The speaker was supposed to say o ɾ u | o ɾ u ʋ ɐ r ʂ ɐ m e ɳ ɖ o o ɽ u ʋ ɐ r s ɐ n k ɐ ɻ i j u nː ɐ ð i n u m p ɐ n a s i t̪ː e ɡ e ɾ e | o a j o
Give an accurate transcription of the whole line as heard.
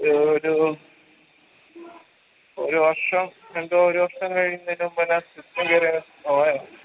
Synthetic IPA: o ɾ u | o ɾ u ʋ ɐ r ʂ ɐ m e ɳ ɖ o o ɾ u ʋ ɐ r ʂ ɐ m k ɐ ɻ i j u nː ɐ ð i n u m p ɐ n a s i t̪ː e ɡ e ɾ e | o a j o